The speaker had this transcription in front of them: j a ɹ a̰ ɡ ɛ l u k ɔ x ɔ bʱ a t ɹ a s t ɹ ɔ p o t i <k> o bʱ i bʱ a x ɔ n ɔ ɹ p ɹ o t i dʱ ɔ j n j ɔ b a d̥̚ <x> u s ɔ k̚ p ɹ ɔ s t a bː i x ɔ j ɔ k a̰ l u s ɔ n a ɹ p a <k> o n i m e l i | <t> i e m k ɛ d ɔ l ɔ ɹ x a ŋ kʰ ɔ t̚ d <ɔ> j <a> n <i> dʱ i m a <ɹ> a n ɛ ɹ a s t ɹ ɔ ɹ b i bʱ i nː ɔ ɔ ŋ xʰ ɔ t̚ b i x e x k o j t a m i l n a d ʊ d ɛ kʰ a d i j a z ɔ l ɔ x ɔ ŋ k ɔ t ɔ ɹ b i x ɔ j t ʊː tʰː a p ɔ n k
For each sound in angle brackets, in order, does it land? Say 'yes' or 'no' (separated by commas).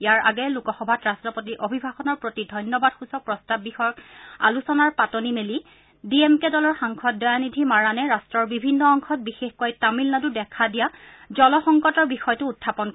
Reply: no, yes, no, no, yes, yes, yes, yes